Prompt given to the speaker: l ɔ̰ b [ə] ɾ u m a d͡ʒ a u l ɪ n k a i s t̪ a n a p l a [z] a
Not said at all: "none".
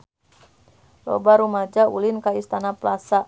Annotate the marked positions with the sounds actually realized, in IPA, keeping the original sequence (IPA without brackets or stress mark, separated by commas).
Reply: a, s